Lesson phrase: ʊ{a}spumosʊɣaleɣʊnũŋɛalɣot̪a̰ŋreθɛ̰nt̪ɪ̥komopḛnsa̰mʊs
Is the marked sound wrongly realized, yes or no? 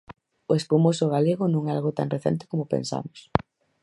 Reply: yes